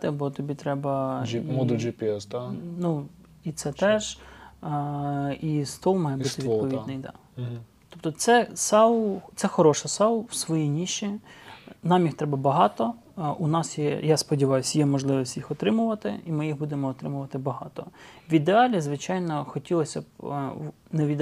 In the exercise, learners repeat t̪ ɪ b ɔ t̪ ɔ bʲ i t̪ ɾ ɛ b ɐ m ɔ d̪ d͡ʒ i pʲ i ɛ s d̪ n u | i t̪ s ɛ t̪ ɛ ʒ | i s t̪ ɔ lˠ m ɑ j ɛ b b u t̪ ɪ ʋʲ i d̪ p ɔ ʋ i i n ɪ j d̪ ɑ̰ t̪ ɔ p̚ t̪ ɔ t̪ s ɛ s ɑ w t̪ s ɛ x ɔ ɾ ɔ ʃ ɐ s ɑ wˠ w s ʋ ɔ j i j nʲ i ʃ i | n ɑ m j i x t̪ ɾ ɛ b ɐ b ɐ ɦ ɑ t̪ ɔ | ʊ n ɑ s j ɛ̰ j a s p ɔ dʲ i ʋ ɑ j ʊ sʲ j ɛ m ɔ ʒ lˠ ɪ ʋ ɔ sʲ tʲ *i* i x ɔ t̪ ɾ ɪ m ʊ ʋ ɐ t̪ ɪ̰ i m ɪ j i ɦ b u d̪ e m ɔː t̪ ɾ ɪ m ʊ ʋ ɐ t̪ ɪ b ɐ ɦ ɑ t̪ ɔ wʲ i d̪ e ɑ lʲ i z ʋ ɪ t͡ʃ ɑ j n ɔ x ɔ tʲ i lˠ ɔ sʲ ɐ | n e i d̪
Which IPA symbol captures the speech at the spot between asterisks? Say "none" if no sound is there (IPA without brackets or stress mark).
j